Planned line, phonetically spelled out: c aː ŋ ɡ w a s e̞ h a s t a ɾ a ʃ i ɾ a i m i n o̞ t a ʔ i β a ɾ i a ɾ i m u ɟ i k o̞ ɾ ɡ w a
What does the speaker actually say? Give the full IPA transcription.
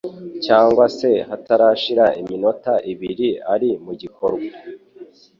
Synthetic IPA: c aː ŋ ɡ w a s e̞ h a t a ɾ a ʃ i ɾ a i m i n o̞ t a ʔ i β i ɾ i a ɾ i m u ɟ i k o̞ ɾ ɡ w a